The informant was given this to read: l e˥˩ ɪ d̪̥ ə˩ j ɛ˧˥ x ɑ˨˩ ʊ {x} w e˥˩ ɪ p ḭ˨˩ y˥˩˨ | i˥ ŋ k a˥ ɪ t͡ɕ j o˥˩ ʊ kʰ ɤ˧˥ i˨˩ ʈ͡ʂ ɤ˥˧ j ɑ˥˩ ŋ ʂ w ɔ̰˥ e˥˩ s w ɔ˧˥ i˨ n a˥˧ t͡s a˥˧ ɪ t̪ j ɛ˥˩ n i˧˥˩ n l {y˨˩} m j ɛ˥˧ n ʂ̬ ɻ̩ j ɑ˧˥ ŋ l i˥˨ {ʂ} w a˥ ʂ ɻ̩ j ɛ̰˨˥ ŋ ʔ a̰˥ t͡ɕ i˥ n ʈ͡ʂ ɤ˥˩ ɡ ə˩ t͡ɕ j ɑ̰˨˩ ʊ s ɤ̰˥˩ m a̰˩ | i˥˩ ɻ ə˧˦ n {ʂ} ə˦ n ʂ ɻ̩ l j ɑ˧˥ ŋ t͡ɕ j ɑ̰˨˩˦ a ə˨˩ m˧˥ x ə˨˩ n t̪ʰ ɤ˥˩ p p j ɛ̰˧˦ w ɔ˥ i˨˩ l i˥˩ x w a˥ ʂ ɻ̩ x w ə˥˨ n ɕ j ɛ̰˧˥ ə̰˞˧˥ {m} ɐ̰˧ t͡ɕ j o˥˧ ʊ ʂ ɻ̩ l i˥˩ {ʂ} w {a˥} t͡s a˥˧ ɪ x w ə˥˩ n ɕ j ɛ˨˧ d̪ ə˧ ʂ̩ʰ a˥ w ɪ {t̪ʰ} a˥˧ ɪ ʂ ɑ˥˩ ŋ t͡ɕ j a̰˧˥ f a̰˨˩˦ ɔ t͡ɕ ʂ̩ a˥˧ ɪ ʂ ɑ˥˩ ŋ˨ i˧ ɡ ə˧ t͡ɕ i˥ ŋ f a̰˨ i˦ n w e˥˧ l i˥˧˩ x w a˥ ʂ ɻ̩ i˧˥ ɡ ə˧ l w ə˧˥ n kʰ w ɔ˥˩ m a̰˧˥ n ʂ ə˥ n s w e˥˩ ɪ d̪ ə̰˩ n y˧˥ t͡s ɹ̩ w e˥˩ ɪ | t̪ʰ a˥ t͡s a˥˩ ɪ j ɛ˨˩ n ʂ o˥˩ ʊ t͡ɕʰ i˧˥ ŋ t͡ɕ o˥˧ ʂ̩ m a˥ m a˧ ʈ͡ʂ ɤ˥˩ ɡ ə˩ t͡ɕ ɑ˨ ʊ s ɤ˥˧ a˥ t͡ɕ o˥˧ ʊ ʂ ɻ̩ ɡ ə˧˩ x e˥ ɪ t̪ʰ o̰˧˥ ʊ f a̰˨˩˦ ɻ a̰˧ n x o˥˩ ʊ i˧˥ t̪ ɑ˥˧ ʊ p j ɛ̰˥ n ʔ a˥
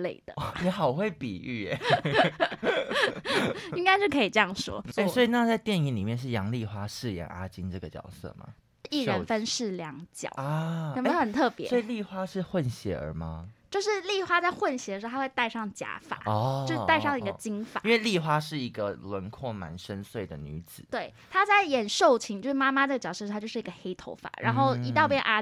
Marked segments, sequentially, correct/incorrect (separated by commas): correct, incorrect, incorrect, incorrect, correct, incorrect, correct, incorrect